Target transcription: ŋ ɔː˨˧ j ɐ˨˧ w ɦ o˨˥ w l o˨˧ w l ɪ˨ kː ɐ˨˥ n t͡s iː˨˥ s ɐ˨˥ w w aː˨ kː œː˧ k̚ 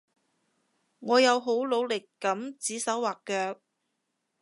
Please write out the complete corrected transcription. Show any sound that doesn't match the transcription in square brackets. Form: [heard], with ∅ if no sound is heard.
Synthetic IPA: ŋ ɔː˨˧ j ɐ˨˧ w ɦ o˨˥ w l o˨˧ w l ɪ˨ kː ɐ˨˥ [m] t͡s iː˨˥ s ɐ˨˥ w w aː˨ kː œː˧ k̚